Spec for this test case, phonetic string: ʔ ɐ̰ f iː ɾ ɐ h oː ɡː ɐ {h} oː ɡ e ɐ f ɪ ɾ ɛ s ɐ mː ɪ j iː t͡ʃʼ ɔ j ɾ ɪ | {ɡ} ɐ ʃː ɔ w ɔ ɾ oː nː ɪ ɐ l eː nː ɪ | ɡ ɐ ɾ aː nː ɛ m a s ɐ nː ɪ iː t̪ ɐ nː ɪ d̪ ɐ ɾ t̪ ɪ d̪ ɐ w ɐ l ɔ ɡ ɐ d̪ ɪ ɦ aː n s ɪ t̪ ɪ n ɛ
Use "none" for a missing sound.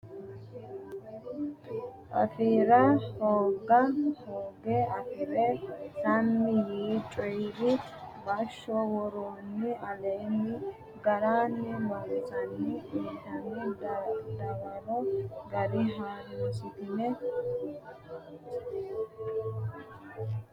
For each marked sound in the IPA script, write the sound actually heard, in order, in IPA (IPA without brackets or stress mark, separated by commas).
h, b